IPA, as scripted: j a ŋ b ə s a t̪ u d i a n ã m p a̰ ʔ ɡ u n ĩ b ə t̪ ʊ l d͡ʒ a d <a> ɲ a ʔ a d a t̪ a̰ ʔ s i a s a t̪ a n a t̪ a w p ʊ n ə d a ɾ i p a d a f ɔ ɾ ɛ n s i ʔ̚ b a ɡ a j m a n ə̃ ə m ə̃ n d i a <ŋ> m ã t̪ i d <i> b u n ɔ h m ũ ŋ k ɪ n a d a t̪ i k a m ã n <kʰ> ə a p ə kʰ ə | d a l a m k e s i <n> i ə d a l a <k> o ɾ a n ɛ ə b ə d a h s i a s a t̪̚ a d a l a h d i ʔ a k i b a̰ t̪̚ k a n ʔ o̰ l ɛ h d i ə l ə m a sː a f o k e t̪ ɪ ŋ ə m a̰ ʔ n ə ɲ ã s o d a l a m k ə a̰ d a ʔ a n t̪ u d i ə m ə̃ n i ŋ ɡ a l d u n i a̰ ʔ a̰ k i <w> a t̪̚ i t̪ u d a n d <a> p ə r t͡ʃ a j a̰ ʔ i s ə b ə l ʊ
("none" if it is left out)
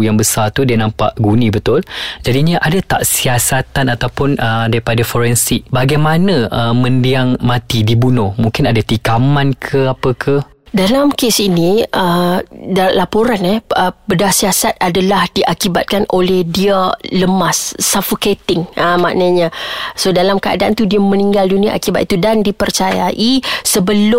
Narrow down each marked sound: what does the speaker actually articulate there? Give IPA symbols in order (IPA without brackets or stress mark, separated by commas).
i, ŋ, i, kʰ, n, p, b, i